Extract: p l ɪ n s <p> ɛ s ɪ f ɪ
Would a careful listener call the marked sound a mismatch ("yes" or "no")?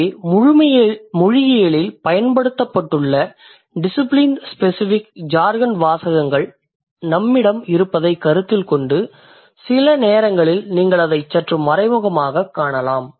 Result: no